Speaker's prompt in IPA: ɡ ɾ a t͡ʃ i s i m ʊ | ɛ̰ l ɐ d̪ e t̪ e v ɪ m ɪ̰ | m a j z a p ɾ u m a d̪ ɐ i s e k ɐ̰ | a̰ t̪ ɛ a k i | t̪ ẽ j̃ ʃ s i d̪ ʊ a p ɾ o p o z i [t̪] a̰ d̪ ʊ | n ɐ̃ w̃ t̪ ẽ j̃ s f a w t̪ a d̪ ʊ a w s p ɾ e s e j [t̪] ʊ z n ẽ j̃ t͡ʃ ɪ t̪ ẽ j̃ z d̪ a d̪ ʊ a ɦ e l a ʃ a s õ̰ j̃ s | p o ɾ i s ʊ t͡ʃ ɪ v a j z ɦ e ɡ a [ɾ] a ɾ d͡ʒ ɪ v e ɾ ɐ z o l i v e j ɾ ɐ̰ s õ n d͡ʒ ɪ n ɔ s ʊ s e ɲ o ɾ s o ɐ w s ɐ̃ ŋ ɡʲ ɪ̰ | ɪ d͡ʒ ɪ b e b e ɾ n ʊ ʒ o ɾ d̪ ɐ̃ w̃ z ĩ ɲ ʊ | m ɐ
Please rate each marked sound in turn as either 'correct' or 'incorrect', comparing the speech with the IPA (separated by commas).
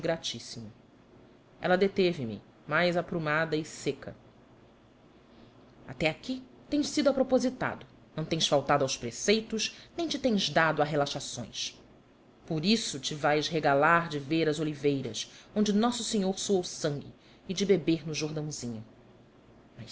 correct, correct, incorrect